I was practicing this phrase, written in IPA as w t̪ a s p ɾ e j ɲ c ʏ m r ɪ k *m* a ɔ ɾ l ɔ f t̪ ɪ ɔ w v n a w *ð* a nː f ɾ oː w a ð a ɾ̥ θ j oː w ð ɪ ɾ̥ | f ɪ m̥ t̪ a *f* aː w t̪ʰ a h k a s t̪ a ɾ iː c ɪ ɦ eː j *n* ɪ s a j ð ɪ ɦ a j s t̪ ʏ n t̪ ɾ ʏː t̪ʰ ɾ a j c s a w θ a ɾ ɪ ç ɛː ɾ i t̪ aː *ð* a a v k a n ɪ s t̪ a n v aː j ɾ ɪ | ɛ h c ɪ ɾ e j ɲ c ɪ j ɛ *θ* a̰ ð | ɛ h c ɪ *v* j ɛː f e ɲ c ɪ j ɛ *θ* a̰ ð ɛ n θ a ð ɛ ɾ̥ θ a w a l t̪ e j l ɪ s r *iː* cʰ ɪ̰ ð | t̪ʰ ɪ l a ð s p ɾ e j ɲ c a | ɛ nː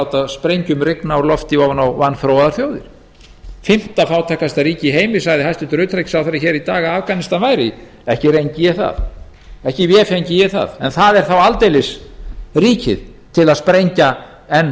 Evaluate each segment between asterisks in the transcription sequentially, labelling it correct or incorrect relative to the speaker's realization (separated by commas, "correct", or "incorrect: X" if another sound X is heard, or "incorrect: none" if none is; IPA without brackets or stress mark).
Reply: incorrect: n, incorrect: v, correct, incorrect: m, incorrect: ɣ, correct, correct, correct, correct